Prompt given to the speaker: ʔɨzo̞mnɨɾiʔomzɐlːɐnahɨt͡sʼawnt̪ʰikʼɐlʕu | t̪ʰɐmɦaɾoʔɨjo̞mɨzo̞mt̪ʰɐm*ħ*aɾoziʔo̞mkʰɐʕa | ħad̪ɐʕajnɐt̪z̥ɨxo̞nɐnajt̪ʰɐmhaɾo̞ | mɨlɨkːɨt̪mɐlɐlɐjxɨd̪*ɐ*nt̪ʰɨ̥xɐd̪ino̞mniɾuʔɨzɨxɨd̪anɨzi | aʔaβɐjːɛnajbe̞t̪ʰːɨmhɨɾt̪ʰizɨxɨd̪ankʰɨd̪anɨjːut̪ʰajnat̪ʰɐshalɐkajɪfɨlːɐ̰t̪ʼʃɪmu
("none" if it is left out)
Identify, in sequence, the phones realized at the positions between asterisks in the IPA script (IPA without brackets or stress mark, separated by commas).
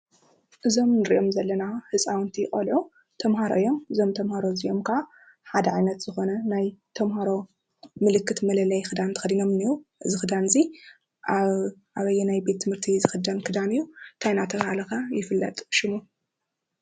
h, a